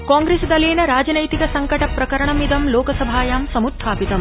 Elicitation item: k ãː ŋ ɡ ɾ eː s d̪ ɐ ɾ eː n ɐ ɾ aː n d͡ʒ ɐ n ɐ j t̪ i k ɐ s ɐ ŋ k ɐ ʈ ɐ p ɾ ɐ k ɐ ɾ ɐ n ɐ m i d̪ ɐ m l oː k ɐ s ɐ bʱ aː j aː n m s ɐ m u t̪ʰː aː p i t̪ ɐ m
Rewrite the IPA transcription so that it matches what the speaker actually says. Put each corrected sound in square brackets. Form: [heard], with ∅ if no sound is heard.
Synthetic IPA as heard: k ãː ŋ ɡ ɾ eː s d̪ ɐ [l] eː n ɐ ɾ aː [∅] d͡ʒ ɐ n ɐ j t̪ i k ɐ s ɐ ŋ k ɐ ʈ ɐ p ɾ ɐ k ɐ ɾ ɐ [ɳ] ɐ m i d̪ ɐ m l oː k ɐ s ɐ bʱ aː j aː [∅] m s ɐ m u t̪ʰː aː p i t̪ ɐ m